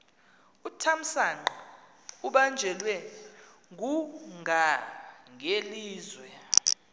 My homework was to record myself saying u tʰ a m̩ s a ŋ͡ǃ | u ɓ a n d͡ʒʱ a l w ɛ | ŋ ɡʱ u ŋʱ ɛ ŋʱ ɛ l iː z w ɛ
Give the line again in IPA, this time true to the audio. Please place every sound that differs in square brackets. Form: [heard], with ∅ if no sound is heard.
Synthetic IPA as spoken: u tʰ a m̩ s a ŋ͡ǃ | u ɓ a n d͡ʒʱ [ɛ] l w ɛ | ŋ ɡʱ u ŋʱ [a] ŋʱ [e] l iː z w ɛ